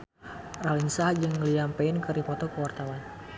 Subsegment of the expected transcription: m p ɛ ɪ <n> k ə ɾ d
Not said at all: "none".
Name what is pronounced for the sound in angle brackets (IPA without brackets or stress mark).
n